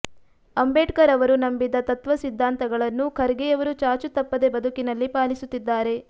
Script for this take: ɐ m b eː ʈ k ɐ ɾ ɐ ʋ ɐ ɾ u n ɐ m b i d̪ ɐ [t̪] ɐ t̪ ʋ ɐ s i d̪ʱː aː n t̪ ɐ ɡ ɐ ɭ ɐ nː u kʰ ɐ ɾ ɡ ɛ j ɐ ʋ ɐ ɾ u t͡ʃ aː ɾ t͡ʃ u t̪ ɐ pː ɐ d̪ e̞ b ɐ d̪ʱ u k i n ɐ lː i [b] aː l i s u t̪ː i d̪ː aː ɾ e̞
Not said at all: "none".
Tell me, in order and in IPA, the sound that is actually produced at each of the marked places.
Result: t̪, p

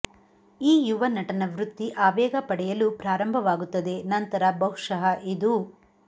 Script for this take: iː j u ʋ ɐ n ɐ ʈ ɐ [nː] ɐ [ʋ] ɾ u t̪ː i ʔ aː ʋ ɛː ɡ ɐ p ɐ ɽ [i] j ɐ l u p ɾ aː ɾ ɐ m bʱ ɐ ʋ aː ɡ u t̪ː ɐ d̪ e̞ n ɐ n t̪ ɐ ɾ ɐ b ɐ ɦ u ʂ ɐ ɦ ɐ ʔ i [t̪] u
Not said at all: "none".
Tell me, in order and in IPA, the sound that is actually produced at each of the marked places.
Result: n, ʋ, ɛ, d̪

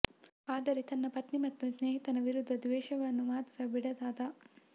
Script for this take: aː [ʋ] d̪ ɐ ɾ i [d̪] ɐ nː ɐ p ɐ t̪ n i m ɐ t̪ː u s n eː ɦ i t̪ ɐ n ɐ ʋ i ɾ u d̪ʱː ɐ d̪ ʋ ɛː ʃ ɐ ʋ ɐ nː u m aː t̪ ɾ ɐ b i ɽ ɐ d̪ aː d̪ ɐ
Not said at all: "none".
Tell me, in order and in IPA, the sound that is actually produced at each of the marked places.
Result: none, t̪

